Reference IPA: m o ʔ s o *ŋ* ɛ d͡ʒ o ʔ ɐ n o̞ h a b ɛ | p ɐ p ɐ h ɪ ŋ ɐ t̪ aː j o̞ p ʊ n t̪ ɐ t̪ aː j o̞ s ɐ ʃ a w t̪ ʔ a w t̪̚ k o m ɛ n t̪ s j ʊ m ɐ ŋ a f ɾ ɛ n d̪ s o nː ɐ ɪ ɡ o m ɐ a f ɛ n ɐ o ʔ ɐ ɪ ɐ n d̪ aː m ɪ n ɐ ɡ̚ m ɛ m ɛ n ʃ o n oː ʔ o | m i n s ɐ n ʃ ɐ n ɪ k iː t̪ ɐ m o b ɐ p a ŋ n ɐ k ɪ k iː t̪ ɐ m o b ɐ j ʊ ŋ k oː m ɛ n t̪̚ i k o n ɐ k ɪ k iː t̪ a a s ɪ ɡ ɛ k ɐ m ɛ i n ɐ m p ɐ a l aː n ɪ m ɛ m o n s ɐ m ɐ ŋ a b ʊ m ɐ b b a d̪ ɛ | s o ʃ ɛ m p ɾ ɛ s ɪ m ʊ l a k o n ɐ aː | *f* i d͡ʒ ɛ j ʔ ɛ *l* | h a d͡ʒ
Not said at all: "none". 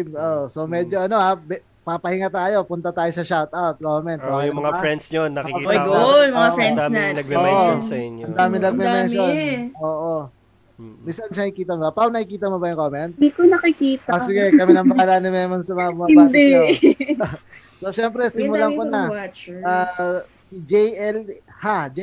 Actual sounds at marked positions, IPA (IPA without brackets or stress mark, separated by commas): m, s, l